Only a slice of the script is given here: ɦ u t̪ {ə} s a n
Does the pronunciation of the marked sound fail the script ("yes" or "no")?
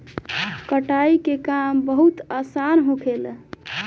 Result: yes